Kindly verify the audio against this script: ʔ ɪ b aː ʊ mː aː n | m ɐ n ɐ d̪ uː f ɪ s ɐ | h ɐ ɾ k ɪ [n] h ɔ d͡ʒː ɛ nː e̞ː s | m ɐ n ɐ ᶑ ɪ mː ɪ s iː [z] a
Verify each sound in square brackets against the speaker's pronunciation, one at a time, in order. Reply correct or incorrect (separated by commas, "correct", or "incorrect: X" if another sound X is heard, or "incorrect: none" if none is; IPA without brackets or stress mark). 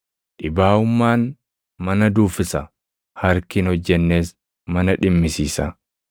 correct, incorrect: s